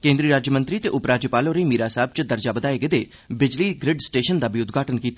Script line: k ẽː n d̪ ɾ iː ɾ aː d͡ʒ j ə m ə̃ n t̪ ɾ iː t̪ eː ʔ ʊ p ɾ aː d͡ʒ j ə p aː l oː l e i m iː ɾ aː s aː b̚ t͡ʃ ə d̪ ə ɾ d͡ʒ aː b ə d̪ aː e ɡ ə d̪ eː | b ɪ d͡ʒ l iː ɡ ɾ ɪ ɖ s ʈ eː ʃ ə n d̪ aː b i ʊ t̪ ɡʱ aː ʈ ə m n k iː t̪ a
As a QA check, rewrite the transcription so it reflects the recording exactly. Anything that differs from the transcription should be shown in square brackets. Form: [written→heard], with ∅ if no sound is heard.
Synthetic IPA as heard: k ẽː n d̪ ɾ iː ɾ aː d͡ʒ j ə m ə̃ n t̪ ɾ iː t̪ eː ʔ ʊ p ɾ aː d͡ʒ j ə p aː l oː [l→ɾ] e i m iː ɾ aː s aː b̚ t͡ʃ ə d̪ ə ɾ d͡ʒ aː b ə d̪ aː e ɡ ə d̪ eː | b ɪ d͡ʒ l iː ɡ ɾ ɪ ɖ s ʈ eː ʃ ə n d̪ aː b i ʊ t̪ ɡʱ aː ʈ ə [m→∅] n k iː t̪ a